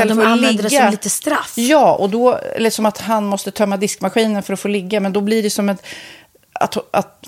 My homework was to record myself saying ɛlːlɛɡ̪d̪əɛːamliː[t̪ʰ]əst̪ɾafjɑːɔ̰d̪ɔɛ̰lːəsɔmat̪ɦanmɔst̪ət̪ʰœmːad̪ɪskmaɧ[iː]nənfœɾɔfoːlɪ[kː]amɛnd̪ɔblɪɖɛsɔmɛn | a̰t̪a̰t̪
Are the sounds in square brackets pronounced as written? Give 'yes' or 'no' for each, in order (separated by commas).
no, yes, no